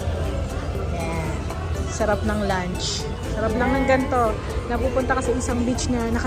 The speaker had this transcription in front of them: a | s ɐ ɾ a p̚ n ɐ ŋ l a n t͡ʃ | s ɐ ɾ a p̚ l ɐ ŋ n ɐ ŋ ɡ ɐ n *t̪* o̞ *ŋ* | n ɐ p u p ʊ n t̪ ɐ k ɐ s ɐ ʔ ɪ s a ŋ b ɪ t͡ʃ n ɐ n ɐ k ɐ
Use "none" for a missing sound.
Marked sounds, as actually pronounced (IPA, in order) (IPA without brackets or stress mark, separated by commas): t̪, none